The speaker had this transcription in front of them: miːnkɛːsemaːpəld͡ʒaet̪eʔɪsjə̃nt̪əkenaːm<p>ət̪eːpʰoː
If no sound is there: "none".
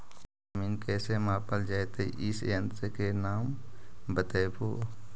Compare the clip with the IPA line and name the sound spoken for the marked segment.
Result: b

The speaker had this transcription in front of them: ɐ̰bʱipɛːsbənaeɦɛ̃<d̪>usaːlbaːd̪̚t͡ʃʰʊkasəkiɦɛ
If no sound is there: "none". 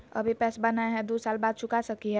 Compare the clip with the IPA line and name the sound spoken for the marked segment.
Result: d̪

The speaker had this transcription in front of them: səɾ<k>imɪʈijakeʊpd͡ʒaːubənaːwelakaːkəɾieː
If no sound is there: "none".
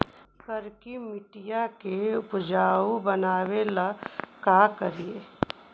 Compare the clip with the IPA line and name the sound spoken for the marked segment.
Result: k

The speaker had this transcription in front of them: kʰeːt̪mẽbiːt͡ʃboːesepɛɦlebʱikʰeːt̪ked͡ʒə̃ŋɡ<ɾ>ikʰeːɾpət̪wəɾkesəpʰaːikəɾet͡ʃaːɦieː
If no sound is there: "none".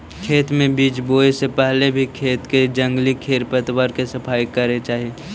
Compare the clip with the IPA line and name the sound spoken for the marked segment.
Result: l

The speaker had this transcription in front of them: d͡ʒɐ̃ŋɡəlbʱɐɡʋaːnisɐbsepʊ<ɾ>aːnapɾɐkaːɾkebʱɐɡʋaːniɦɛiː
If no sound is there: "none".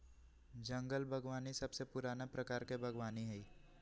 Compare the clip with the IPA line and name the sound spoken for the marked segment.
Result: ɾ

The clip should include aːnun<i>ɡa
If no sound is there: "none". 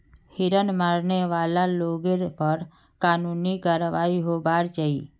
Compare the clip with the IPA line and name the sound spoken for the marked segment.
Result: i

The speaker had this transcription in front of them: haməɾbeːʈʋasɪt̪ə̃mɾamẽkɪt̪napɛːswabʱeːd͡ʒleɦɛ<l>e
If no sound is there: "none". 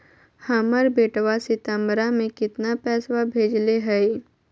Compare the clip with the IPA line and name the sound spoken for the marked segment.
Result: none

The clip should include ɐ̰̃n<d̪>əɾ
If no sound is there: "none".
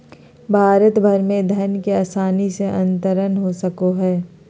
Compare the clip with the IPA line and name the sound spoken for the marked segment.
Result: t̪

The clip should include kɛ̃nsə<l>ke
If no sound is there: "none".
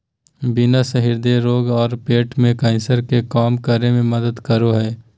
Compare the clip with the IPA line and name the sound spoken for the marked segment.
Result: ɾ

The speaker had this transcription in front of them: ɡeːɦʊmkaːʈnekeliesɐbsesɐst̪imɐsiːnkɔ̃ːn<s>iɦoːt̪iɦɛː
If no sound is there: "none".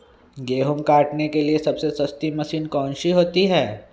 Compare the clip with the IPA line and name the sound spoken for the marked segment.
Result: ʃ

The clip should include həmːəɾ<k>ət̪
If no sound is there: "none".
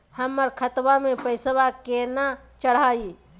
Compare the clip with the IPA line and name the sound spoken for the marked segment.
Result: kʰ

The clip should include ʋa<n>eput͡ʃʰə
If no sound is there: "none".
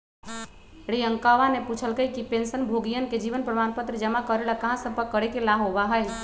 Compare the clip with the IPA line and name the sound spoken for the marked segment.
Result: n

